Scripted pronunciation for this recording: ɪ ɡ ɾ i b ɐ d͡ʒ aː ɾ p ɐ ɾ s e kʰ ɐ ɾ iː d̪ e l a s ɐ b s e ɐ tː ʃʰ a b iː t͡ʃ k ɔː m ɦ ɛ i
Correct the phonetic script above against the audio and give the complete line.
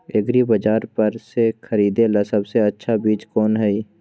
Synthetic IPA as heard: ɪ ɡ ɾ i b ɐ d͡ʒ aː ɾ p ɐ ɾ s e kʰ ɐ ɾ iː d̪ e l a s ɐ b s e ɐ tː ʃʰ a b iː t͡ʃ k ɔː n ɦ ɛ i